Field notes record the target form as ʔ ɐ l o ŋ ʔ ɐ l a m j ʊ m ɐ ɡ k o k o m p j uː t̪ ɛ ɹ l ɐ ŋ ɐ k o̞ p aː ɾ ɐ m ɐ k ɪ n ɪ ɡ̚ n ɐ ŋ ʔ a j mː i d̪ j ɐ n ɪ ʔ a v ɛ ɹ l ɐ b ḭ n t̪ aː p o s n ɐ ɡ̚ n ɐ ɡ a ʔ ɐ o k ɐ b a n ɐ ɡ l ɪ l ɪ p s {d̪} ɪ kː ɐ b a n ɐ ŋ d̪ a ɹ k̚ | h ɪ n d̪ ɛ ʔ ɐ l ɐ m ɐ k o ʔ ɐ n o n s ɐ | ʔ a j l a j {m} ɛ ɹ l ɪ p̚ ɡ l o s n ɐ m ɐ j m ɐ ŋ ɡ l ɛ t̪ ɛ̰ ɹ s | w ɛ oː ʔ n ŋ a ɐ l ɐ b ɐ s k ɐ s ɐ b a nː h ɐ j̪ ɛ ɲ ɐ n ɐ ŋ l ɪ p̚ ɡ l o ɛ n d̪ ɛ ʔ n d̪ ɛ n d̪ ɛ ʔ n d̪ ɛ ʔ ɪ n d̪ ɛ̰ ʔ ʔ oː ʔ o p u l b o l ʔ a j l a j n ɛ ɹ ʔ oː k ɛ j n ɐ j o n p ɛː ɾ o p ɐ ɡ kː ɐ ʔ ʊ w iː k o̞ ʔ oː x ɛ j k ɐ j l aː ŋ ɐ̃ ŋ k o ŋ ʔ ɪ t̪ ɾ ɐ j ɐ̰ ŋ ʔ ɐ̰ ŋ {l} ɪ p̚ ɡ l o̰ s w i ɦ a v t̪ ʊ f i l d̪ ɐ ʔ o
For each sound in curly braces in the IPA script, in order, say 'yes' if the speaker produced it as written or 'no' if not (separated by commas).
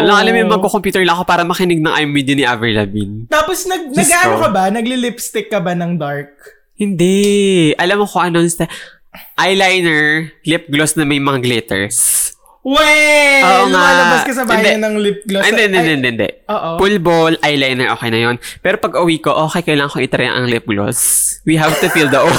no, no, yes